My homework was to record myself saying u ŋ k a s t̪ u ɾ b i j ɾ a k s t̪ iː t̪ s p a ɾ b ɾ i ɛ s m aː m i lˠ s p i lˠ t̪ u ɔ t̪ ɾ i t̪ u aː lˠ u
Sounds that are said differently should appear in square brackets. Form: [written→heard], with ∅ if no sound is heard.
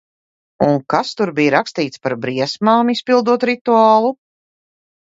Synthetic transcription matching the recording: u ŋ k a s t̪ u ɾ b i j ɾ a k s t̪ iː t̪ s p a ɾ b ɾ i ɛ s m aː m i [lˠ→∅] s p i lˠ [t̪→d̪] u ɔ t̪ ɾ i t̪ u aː lˠ u